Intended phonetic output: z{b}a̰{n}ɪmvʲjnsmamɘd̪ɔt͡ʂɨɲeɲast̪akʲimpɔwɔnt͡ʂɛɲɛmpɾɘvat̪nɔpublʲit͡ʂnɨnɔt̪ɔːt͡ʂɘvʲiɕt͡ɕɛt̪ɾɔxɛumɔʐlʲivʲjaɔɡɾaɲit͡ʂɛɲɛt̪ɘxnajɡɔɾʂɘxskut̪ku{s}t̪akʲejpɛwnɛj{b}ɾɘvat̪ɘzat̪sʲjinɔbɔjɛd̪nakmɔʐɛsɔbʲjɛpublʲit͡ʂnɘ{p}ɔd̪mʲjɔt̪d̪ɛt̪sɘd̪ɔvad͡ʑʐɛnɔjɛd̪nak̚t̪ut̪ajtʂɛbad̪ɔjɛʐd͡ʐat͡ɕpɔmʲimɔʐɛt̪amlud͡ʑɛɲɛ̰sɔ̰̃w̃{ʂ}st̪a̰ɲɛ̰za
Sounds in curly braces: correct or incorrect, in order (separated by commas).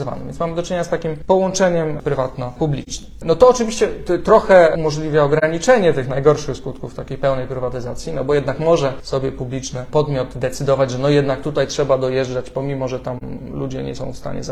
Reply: incorrect, correct, incorrect, incorrect, correct, incorrect